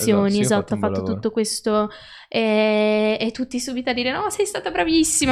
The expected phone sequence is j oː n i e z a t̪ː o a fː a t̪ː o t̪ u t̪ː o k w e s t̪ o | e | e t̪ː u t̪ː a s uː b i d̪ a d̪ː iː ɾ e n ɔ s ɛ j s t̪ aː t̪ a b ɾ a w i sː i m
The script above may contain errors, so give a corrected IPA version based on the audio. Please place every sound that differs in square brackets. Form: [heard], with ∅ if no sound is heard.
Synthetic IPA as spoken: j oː n i e z a t̪ː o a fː a t̪ː o t̪ u t̪ː o k w e s t̪ o | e | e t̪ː u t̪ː [i] s uː b i [t̪] a d̪ː iː ɾ e n ɔ s ɛ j s t̪ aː t̪ a b ɾ a [v] i sː i m